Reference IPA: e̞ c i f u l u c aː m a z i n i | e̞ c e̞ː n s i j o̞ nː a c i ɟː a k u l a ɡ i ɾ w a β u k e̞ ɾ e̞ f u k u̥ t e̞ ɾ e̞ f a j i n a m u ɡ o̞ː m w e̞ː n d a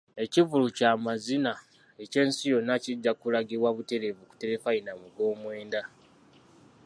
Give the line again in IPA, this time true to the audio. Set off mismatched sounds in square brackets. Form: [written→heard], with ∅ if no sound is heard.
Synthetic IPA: e̞ c i [f→v] u l u c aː m a z i n [i→a] | e̞ c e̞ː n s i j o̞ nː a c i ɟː a k u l a ɡ i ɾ w a β u [k→t] e̞ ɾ e̞ [f→v] u k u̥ t e̞ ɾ e̞ f a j i n a m u ɡ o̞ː m w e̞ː n d a